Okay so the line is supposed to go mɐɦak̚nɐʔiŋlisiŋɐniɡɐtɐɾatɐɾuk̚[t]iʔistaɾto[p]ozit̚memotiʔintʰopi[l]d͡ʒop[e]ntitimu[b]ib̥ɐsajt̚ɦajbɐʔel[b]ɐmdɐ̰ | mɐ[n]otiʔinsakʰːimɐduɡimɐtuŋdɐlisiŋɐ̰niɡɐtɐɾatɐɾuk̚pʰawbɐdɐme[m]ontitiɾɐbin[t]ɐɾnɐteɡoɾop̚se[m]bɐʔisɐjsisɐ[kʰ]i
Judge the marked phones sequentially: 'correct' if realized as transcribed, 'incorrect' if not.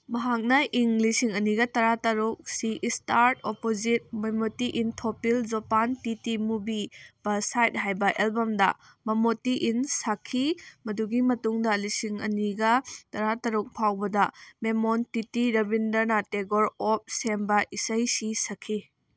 incorrect: s, correct, correct, incorrect: a, correct, correct, incorrect: m, correct, incorrect: d, correct, correct

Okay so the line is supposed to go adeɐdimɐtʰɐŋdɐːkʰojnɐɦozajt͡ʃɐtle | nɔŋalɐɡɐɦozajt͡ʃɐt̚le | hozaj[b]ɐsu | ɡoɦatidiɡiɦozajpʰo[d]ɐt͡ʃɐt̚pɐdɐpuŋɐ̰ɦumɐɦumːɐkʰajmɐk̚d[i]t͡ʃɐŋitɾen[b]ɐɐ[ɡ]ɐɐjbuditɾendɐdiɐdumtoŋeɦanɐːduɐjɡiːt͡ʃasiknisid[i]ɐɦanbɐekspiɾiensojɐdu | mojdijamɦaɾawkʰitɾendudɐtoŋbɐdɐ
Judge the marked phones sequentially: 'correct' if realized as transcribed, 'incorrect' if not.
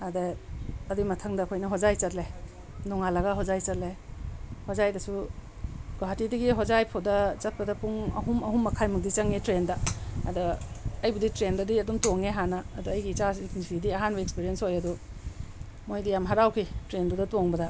incorrect: d, correct, correct, incorrect: d, incorrect: d, correct

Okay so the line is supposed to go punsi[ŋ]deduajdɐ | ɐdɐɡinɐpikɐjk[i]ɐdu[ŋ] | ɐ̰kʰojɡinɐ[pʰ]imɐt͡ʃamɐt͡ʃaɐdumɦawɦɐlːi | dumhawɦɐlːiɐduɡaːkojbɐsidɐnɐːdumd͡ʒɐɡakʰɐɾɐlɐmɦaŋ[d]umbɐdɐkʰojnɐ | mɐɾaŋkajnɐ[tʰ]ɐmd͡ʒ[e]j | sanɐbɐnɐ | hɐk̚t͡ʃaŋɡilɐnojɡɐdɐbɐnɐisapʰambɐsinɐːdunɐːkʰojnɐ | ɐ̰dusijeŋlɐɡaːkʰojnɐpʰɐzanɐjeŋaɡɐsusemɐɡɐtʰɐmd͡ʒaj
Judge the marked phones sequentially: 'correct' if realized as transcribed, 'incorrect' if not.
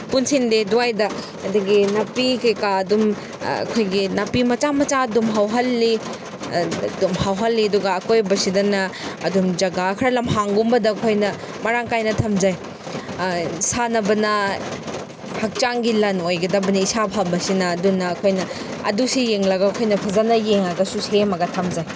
incorrect: n, incorrect: a, incorrect: m, incorrect: p, incorrect: ɡ, correct, incorrect: a

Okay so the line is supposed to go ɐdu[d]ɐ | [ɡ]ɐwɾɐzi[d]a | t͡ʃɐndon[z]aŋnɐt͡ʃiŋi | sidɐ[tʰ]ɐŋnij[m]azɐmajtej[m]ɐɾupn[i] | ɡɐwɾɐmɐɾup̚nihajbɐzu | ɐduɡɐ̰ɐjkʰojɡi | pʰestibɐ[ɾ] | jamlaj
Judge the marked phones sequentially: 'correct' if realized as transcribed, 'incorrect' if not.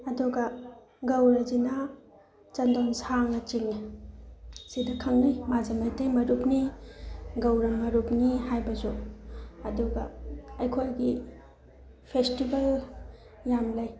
incorrect: ɡ, correct, incorrect: n, incorrect: s, incorrect: kʰ, correct, correct, correct, incorrect: l

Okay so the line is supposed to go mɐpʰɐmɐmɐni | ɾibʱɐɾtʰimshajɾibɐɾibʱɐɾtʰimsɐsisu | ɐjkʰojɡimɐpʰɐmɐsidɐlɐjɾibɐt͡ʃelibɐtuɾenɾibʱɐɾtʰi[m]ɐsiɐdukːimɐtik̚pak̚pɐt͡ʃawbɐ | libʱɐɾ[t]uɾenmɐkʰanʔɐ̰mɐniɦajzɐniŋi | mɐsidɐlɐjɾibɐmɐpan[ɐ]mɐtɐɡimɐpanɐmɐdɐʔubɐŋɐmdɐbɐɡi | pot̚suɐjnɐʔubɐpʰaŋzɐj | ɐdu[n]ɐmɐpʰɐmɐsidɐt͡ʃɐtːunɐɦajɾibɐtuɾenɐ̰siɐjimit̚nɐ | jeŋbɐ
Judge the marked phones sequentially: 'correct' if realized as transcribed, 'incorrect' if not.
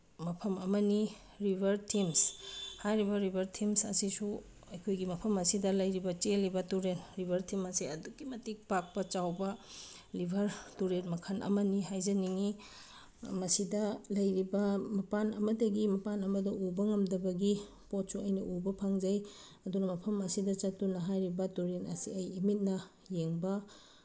correct, correct, correct, correct

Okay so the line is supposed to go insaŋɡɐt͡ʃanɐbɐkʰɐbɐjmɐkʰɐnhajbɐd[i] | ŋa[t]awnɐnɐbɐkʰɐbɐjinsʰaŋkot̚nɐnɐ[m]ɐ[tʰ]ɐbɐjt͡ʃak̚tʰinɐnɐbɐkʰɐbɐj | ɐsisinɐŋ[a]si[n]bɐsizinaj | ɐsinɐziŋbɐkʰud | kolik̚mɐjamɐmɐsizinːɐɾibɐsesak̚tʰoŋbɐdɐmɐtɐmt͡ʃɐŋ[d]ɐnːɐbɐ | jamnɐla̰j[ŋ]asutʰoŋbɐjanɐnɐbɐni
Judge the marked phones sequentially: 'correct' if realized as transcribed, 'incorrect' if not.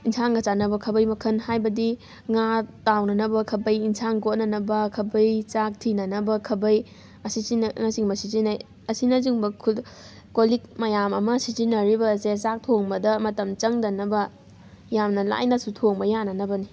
correct, correct, incorrect: b, incorrect: kʰ, correct, incorrect: ŋ, correct, incorrect: n

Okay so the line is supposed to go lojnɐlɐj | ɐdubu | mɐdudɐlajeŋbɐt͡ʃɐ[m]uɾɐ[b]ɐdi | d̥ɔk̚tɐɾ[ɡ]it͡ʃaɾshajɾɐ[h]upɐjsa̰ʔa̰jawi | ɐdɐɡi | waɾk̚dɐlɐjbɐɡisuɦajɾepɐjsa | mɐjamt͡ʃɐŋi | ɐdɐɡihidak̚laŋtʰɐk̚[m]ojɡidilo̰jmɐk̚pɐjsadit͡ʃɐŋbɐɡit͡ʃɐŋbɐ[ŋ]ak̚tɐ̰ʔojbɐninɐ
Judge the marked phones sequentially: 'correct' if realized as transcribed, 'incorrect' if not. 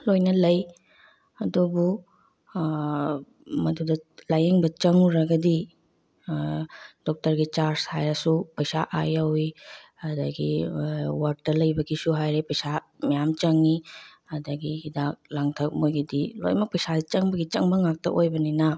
incorrect: ŋ, incorrect: ɡ, correct, incorrect: s, correct, correct

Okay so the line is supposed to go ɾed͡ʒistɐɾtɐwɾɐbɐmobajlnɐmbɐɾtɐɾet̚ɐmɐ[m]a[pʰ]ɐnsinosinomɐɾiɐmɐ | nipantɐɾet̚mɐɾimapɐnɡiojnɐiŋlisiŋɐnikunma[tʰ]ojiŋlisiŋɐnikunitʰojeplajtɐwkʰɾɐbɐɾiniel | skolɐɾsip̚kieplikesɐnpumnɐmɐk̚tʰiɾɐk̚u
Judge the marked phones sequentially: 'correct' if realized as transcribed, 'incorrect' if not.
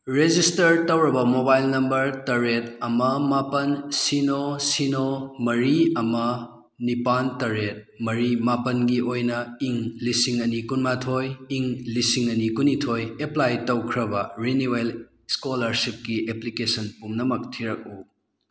correct, incorrect: p, correct

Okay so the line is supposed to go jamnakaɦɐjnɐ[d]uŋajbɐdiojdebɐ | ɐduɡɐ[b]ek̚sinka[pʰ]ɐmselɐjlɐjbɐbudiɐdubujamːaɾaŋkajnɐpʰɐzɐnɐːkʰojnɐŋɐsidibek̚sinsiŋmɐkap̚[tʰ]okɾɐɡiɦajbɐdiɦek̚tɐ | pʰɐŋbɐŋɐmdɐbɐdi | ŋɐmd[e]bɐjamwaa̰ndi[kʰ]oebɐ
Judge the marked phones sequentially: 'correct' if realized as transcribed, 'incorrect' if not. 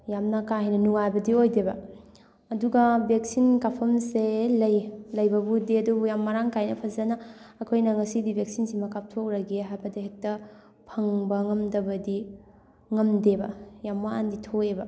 incorrect: n, correct, correct, correct, correct, incorrect: tʰ

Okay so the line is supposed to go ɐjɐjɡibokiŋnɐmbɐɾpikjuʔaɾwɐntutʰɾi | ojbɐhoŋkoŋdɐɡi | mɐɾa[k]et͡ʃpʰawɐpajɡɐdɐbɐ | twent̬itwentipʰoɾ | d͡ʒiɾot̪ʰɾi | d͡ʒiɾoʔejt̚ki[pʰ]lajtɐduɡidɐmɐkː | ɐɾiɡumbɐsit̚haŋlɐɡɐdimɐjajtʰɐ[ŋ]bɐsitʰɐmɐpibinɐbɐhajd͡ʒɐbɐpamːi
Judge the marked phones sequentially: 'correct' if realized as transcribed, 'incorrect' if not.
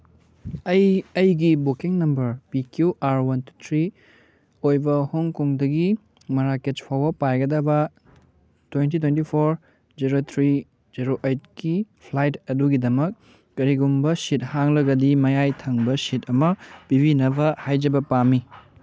correct, correct, correct

